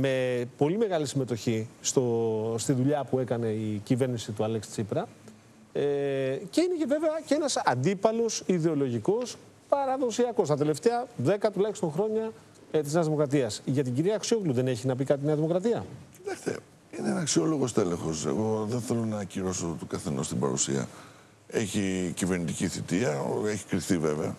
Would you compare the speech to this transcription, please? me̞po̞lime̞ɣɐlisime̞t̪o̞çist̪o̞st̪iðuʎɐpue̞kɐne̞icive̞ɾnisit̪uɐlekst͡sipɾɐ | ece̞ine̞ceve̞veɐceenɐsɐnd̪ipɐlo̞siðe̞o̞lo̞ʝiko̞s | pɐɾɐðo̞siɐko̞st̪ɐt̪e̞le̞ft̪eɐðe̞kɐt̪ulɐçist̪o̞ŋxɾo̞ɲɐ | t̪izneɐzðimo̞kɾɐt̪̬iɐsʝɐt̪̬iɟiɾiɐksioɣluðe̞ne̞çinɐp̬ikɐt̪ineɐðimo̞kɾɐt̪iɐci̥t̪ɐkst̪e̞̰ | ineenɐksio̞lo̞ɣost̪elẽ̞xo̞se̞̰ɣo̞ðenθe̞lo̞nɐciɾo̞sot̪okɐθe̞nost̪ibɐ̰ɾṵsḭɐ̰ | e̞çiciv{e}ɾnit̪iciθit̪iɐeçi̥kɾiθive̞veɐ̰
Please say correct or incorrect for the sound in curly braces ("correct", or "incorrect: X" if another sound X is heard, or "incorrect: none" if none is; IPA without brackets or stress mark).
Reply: correct